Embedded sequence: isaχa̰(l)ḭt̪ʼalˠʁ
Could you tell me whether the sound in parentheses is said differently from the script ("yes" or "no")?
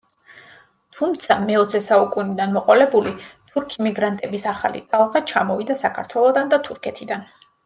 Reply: no